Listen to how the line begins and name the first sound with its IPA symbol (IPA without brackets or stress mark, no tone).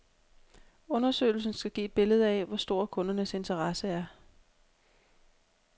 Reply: ɔ̽